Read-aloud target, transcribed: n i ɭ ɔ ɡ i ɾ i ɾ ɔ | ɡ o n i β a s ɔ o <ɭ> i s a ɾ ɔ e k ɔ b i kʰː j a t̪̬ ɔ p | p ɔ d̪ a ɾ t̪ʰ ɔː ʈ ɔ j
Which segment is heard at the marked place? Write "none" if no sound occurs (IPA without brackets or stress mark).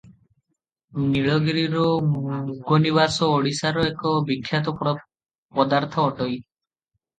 ɽ